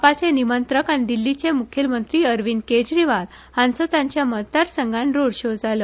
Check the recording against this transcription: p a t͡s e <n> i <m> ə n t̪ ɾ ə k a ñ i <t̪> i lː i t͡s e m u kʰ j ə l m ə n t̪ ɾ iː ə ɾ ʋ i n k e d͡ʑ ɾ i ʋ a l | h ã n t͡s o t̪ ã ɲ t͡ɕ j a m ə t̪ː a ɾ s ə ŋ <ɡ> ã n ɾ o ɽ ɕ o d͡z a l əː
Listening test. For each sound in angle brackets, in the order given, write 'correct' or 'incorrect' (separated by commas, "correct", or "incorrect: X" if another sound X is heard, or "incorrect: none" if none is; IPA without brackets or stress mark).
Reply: correct, correct, incorrect: d̪, correct